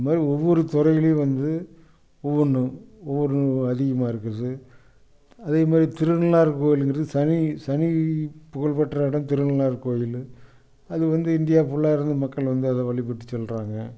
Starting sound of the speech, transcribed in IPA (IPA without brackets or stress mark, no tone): m